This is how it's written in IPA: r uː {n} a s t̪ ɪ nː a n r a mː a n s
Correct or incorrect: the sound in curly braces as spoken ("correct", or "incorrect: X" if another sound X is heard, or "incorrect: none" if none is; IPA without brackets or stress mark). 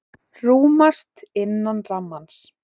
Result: incorrect: m